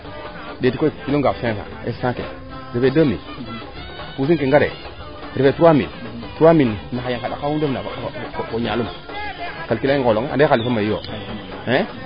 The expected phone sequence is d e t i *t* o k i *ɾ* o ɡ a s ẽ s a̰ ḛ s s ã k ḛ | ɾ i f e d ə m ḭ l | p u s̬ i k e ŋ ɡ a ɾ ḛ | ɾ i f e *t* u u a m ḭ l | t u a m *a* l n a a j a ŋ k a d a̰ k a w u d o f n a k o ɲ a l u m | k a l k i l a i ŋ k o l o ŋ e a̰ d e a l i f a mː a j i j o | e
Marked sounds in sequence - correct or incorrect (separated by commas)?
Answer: incorrect, incorrect, correct, incorrect